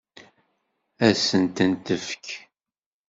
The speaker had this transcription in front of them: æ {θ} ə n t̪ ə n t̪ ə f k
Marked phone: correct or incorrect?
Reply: incorrect: s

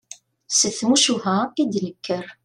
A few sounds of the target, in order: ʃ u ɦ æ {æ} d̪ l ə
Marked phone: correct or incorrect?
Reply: incorrect: i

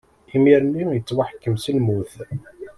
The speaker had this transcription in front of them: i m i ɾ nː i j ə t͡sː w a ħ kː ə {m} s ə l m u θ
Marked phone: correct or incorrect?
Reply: correct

